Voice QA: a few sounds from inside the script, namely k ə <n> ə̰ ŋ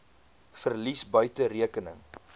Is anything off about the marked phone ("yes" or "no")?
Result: no